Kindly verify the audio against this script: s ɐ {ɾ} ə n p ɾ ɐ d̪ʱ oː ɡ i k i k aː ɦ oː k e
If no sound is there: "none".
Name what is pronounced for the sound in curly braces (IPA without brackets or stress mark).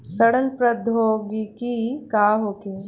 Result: ɽ